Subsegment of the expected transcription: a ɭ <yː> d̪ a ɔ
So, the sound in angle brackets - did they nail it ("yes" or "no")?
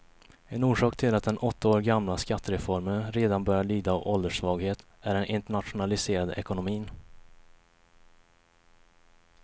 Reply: yes